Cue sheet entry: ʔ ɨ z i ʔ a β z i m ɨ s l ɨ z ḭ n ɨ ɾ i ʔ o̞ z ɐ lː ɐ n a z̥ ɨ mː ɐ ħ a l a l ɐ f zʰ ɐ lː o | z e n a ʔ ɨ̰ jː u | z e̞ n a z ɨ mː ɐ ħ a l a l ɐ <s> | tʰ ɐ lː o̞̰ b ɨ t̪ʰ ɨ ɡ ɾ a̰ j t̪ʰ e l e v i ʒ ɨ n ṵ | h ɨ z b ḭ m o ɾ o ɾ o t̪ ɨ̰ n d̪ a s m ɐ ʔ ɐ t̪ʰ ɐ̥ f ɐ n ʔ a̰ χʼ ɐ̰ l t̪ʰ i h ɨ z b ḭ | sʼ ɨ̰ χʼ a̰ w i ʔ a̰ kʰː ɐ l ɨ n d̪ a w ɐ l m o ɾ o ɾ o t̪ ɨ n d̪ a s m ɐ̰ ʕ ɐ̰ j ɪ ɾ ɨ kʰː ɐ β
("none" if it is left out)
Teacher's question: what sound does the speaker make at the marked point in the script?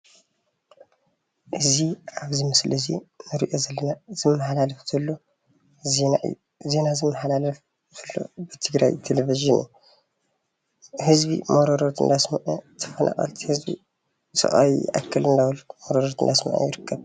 f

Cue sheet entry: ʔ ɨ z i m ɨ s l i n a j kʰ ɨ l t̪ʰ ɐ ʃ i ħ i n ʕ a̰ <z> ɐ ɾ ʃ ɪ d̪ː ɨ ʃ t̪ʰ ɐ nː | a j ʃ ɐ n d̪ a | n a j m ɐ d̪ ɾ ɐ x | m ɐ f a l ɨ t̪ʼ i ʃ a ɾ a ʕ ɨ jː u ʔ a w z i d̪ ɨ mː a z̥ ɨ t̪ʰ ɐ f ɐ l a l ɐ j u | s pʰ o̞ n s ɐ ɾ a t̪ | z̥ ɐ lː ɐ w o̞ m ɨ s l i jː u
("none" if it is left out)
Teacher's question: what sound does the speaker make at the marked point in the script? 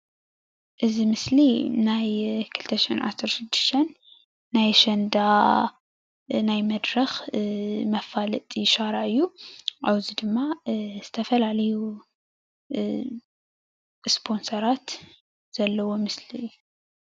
s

